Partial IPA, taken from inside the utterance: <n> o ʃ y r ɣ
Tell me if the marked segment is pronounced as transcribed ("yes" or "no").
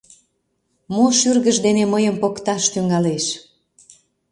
no